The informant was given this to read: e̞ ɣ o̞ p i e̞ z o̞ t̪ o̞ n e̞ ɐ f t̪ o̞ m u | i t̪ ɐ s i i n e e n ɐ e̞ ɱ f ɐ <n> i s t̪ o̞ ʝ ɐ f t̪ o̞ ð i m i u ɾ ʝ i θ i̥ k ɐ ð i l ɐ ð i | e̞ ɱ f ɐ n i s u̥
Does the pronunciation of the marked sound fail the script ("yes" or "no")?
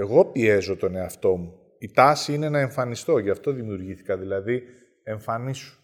no